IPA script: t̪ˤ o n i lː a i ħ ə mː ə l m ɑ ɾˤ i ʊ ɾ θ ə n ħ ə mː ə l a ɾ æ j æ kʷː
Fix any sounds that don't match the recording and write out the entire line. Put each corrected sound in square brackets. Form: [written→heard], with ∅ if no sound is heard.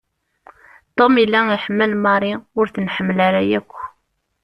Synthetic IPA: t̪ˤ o [n→m] i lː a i ħ ə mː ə l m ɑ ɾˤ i ʊ ɾ θ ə n ħ ə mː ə l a ɾ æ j æ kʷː